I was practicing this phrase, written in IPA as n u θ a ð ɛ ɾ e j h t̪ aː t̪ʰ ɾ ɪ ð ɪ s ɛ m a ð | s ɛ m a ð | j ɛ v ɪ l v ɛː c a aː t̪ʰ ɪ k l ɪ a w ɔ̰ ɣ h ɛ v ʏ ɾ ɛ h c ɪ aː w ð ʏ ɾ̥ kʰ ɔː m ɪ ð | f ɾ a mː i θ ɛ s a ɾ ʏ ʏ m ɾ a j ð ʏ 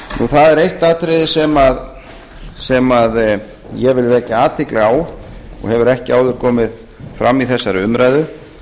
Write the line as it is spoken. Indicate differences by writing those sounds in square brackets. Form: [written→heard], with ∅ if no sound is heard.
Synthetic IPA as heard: n u θ a ð ɛ ɾ e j h t̪ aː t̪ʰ ɾ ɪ ð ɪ s ɛ m a ð | s ɛ m a ð | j ɛ v ɪ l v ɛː c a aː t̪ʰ ɪ k l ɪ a w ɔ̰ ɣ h ɛ v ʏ ɾ ɛ h c ɪ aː w ð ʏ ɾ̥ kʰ ɔː m ɪ ð | f ɾ a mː i θ ɛ [s→sː] a ɾ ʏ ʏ m ɾ a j ð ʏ